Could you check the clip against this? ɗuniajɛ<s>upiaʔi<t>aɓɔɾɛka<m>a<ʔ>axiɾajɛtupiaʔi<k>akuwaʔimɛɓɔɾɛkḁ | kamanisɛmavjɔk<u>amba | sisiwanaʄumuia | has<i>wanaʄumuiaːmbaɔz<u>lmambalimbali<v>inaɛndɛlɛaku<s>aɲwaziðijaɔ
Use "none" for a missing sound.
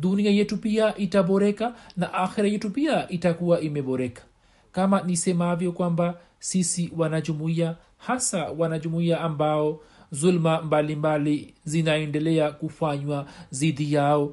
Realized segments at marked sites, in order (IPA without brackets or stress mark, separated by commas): t, t, n, ʔ, t, w, a, u, z, f